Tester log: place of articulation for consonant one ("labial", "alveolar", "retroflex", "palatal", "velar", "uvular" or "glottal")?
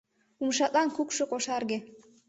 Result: labial